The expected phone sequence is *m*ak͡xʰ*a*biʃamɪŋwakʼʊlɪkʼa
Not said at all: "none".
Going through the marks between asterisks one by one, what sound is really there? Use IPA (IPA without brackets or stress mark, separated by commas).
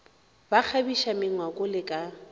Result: b, a